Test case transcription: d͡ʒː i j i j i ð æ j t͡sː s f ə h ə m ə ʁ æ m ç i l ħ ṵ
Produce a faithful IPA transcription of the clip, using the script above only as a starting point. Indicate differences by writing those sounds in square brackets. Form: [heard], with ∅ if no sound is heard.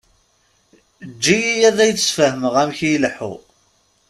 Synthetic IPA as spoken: d͡ʒː i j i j [æ] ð æ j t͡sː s f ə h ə m ə ʁ æ m ç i l ħ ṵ